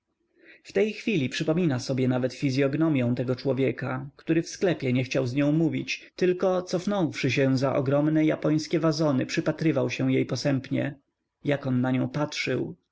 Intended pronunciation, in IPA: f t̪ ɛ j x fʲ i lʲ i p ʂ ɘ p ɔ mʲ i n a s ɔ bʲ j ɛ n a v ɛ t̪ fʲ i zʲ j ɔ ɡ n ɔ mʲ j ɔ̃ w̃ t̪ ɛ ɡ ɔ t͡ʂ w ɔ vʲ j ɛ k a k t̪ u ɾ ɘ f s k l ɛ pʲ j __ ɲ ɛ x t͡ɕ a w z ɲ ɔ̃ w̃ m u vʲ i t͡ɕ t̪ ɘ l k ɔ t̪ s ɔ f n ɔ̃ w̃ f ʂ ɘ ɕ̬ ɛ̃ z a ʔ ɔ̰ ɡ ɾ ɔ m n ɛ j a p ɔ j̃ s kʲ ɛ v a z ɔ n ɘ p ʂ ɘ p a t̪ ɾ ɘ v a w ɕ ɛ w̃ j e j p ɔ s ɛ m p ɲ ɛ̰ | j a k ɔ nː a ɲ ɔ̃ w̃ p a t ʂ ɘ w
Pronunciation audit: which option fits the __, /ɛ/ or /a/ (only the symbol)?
ɛ